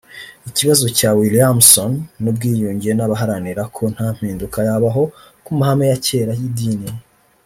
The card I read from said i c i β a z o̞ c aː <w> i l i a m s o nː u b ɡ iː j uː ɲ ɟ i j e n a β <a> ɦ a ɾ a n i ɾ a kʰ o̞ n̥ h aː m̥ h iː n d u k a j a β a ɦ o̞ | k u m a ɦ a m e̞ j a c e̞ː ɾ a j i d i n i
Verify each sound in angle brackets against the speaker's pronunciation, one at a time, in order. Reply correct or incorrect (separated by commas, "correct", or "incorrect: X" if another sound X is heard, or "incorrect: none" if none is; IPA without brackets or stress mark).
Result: correct, correct